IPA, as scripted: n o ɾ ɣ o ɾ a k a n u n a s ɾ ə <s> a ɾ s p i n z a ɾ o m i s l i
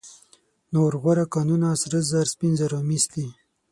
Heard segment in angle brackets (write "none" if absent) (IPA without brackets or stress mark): z